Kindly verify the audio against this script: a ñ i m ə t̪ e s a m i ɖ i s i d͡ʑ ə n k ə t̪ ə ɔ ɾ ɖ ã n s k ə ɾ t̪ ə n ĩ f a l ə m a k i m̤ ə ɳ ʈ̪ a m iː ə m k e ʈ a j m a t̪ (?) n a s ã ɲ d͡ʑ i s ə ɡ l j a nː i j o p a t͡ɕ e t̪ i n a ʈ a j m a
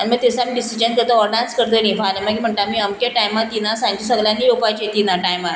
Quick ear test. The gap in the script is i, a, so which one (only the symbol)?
i